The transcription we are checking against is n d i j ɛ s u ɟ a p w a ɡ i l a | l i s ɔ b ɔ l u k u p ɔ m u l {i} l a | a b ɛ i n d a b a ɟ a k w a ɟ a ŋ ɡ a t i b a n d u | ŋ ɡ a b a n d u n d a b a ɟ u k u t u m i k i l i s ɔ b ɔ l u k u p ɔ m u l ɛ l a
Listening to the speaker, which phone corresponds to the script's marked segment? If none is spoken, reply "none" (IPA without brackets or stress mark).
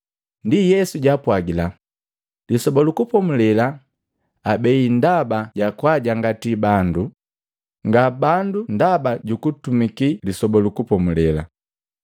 ɛ